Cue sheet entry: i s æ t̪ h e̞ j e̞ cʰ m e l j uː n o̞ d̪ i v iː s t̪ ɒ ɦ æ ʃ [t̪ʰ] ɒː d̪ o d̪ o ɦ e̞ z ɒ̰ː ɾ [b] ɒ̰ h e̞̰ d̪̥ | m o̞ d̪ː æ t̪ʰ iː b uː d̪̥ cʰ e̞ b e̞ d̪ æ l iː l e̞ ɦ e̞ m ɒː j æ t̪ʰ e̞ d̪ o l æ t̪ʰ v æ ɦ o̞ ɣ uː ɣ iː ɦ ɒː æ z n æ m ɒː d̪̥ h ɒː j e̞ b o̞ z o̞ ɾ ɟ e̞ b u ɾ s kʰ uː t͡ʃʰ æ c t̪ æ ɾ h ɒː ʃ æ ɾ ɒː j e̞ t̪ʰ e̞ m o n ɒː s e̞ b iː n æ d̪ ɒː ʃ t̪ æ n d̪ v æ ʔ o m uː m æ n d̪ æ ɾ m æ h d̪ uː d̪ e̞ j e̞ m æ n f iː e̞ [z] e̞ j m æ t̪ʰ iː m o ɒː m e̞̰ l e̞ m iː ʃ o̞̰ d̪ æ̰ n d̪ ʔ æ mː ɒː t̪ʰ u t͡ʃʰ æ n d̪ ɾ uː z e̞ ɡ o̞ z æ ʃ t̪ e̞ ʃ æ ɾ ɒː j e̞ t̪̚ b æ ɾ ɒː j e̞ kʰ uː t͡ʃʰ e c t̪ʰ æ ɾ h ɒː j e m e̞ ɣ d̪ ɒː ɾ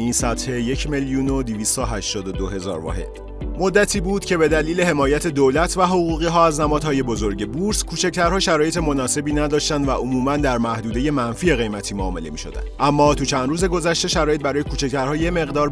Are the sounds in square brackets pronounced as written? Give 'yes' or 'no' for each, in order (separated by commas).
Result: no, no, no